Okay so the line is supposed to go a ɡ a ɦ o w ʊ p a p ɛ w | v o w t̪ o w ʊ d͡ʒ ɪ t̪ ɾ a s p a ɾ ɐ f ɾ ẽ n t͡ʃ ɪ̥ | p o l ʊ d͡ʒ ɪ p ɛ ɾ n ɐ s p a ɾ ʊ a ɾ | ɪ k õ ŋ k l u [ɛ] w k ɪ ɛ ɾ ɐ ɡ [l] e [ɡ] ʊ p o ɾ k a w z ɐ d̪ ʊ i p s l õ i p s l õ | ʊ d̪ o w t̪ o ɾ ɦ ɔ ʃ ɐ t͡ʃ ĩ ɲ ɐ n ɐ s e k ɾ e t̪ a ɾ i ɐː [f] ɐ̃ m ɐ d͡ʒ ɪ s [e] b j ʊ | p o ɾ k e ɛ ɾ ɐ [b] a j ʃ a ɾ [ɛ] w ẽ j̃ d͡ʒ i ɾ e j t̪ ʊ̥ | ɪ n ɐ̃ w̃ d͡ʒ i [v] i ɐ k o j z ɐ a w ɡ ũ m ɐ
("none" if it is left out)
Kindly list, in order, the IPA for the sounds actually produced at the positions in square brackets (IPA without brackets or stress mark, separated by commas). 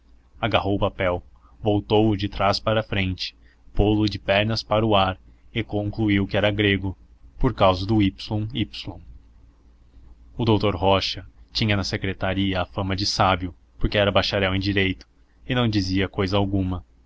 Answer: i, ɾ, ɡ, f, a, b, ɛ, z